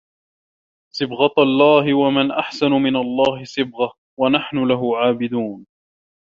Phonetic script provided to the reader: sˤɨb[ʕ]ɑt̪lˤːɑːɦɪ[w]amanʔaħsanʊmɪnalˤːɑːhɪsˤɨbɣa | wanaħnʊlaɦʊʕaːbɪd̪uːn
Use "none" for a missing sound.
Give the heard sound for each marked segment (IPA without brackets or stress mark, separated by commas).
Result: ɣ, w